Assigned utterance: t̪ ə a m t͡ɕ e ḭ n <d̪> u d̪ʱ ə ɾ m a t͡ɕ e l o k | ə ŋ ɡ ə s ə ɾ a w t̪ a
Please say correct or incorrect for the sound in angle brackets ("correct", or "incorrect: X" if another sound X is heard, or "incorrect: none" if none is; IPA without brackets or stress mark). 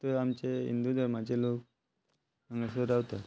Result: correct